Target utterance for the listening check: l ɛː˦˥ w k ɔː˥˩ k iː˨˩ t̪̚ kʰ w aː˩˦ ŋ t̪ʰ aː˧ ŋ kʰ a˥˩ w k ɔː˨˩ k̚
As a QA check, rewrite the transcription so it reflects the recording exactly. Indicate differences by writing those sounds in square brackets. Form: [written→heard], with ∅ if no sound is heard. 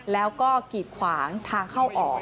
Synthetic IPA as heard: l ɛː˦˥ w k ɔː˥˩ k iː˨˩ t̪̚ kʰ w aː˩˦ ŋ t̪ʰ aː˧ ŋ kʰ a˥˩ w [k→ʔ] ɔː˨˩ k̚